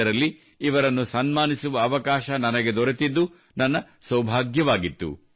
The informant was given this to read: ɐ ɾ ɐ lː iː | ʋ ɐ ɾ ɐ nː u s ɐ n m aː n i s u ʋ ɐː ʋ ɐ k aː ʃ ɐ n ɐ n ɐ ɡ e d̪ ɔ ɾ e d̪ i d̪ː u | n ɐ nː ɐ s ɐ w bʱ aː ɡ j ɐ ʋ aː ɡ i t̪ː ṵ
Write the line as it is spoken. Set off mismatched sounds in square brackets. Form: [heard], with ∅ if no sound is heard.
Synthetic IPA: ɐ ɾ ɐ lː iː | ʋ ɐ ɾ ɐ nː u s ɐ n m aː n i s u ʋ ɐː ʋ ɐ k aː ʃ ɐ n ɐ n ɐ ɡ e d̪ ɔ ɾ e [t̪] i d̪ː u | n ɐ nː ɐ s ɐ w bʱ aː ɡ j ɐ ʋ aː ɡ i t̪ː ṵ